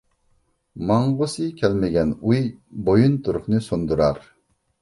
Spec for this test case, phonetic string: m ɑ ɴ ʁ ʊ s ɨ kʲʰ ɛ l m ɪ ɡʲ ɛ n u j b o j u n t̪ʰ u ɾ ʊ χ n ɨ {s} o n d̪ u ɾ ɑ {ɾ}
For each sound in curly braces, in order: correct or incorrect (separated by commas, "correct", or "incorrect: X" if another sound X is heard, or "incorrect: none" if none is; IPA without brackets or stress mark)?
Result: correct, correct